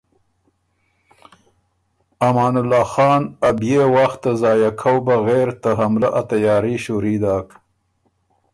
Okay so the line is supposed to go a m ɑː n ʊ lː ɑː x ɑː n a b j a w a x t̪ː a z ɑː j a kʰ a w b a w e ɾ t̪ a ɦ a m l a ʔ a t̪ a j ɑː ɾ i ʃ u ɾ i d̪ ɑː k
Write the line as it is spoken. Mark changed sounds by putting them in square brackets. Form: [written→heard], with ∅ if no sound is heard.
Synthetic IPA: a m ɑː n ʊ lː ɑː x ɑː n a b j [a→e] w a x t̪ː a z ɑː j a kʰ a w b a [w→ɣ] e ɾ t̪ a ɦ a m l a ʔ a t̪ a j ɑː ɾ i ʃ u ɾ i d̪ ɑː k